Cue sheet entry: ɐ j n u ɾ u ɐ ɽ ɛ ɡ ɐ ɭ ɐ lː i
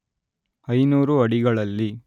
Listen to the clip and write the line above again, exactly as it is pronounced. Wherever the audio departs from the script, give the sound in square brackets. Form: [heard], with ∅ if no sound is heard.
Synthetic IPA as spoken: ɐ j n [uː] ɾ u ɐ ɽ [i] ɡ ɐ ɭ ɐ lː i